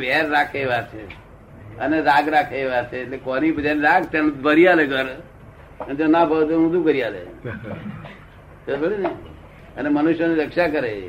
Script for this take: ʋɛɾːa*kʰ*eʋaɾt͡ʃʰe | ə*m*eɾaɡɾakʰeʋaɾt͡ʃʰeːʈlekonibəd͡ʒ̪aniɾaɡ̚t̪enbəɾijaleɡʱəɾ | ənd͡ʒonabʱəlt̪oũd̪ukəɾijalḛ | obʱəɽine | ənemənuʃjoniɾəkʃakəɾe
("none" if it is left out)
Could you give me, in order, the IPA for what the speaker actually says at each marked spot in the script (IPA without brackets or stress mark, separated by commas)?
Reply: kʰ, n